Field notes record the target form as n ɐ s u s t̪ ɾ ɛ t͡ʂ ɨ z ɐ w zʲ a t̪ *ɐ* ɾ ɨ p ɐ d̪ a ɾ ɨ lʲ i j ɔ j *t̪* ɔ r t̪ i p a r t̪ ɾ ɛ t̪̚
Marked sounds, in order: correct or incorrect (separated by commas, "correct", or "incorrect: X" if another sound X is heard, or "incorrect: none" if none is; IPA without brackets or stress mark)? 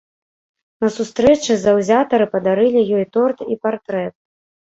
correct, correct